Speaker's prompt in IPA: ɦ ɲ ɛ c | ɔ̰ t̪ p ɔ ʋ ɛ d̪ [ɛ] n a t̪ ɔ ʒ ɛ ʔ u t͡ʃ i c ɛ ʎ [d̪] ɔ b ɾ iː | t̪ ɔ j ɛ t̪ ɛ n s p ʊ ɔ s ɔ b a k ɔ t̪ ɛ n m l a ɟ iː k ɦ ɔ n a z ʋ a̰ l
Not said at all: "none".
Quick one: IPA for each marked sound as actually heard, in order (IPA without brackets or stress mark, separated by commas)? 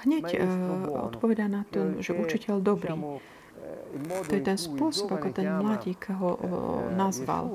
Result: a, d̪